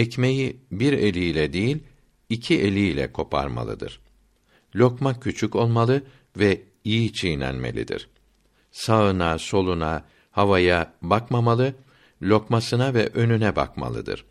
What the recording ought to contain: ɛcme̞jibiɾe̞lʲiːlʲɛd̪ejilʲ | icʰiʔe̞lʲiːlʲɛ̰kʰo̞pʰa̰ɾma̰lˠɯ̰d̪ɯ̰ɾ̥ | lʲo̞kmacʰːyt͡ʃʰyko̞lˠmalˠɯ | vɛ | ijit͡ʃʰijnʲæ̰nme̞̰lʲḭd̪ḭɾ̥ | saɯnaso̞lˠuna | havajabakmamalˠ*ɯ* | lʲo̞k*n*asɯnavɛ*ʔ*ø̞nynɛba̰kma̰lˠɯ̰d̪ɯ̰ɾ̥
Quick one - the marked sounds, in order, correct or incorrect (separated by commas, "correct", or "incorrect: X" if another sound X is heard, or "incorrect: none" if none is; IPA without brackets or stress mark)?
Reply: correct, incorrect: m, correct